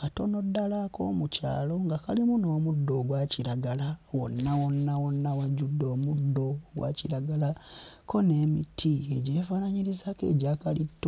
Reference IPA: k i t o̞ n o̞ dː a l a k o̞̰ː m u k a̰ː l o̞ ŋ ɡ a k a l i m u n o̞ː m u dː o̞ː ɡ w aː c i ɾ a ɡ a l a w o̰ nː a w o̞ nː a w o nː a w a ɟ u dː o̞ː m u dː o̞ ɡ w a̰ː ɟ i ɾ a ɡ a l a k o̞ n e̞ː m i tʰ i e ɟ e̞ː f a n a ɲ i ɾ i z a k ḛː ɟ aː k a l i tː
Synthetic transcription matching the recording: k a t o̞ n o̞ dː a l a k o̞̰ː m u c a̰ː l o̞ ŋ ɡ a k a l i m u n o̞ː m u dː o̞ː ɡ w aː c i ɾ a ɡ a l a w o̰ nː a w o̞ nː a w o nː a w a ɟ u dː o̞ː m u dː o̞ ɡ w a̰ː c i ɾ a ɡ a l a k o̞ n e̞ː m i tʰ i e ɟ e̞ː f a n a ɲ i ɾ i z a k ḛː ɟ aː k a l i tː